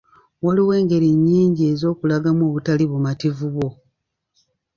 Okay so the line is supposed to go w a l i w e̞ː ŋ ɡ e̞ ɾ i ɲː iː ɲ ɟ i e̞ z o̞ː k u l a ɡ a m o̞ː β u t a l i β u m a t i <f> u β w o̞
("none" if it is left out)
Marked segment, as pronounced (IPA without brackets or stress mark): v